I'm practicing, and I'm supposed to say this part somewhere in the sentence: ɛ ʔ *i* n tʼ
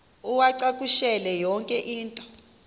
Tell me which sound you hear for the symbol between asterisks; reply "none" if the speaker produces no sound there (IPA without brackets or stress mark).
iː